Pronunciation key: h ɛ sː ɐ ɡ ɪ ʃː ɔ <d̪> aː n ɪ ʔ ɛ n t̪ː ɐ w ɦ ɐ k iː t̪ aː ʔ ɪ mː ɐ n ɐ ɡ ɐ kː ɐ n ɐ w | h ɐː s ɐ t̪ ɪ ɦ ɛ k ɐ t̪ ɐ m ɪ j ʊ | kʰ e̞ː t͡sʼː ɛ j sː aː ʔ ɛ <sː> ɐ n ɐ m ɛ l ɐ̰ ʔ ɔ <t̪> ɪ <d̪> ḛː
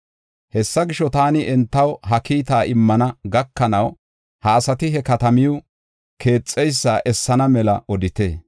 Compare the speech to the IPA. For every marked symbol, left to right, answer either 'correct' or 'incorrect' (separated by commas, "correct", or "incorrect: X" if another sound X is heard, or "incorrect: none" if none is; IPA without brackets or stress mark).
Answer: incorrect: t̪, correct, incorrect: d̪, incorrect: t̪